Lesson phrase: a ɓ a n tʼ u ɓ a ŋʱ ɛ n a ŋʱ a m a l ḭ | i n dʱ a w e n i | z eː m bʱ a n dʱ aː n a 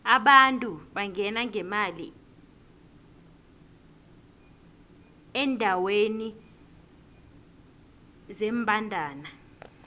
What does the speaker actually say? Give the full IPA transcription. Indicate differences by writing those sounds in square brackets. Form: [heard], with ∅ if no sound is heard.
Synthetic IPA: a ɓ a n tʼ u ɓ a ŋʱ ɛ n a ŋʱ [ɛ] m a l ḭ | [ɛ] n dʱ a w e n i | z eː m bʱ a n dʱ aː n a